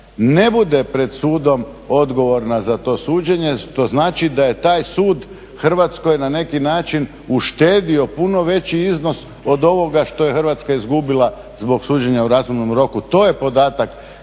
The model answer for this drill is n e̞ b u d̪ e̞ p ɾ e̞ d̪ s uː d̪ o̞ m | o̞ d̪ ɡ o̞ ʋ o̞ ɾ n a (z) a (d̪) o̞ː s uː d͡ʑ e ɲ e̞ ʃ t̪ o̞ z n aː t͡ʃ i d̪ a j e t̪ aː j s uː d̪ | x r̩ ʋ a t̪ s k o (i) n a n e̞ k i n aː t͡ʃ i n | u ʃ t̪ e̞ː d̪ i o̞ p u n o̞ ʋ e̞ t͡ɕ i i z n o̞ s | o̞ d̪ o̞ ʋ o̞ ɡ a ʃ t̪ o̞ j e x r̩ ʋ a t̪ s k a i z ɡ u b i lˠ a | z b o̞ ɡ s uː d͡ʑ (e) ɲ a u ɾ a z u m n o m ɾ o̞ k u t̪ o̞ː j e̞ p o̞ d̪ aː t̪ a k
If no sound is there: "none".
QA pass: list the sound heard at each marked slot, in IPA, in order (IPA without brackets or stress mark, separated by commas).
z, t̪, j, e